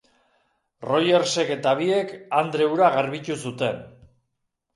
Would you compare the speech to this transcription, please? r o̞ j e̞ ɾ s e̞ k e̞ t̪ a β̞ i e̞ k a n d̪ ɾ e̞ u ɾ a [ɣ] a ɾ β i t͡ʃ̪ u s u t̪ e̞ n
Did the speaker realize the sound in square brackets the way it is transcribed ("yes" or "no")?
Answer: yes